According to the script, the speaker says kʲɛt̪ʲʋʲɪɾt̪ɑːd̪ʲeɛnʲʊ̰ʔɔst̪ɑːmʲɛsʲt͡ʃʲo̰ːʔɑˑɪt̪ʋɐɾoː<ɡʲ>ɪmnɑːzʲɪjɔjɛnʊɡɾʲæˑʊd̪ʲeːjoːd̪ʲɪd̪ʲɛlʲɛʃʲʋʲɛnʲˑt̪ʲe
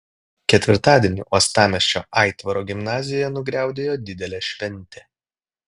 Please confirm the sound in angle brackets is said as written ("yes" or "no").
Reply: yes